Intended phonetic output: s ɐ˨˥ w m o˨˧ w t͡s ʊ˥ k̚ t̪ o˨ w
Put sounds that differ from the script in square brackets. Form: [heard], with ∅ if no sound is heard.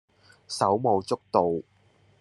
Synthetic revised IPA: s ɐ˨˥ w m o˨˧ w t͡s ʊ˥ k̚ t̪ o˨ w